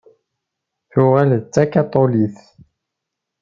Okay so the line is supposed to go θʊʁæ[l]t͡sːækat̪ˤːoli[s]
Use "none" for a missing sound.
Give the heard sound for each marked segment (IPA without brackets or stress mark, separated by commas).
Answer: l, θ